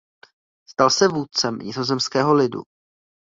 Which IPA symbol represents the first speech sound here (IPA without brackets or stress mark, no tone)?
s